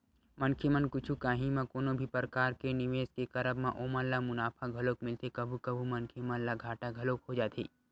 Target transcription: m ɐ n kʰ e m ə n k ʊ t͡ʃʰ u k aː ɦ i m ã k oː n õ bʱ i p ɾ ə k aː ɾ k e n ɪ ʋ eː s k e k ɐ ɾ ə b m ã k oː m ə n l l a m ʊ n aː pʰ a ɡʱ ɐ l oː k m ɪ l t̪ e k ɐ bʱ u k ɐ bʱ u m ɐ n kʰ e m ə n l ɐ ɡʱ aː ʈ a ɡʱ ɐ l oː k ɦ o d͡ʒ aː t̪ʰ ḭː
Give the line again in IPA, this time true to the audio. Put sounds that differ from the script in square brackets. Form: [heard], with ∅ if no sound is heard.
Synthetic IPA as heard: m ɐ n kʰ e m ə n k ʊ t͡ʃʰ u k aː ɦ i m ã k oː n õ bʱ i p ɾ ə k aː ɾ k e n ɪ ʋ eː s k e k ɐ ɾ ə b m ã [ʔ] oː m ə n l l a m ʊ n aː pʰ a ɡʱ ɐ l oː k m ɪ l t̪ e k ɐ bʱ u k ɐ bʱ u m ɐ n kʰ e m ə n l [a] ɡʱ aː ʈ a ɡʱ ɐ l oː k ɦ o d͡ʒ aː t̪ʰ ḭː